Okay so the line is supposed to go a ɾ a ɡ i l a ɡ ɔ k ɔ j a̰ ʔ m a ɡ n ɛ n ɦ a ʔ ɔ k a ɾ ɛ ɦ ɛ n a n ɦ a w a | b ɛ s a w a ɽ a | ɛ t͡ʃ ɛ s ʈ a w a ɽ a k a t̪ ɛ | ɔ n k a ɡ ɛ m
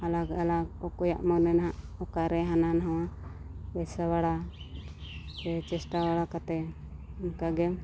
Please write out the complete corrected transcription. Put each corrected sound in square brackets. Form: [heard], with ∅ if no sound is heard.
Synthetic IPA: a [l] a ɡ [a] l a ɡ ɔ k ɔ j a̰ ʔ m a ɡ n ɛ n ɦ a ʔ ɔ k a ɾ ɛ ɦ [a] n a n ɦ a w a | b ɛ s a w a ɽ a | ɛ t͡ʃ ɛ s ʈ a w a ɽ a k a t̪ ɛ | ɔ n k a ɡ ɛ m